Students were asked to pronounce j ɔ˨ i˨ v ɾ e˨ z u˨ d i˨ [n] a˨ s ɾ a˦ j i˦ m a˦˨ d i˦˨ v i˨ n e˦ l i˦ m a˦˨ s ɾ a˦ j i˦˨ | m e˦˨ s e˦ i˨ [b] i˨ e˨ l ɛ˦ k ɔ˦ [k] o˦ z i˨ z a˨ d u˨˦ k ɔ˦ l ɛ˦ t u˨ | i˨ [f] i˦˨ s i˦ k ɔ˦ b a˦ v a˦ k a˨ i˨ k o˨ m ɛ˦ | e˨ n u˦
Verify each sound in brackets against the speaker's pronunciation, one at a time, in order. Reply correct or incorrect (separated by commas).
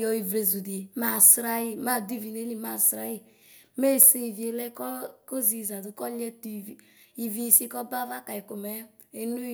incorrect, incorrect, correct, incorrect